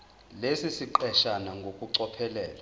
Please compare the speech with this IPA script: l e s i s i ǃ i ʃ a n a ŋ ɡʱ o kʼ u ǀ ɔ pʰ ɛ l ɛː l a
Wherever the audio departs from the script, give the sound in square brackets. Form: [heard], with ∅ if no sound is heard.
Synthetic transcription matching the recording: l e s i s i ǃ [ɛ] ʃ a n a ŋ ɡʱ o kʼ u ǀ ɔ pʰ ɛ l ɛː l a